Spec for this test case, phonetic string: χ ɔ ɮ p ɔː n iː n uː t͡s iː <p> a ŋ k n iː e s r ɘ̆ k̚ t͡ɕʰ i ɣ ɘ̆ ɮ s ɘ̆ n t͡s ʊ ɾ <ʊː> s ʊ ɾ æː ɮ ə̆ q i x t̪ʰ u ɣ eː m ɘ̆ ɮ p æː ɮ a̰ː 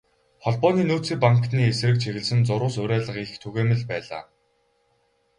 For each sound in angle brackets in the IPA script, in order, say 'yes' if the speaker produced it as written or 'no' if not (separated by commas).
yes, yes